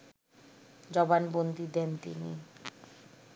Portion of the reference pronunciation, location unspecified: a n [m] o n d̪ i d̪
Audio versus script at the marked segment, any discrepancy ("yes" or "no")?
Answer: yes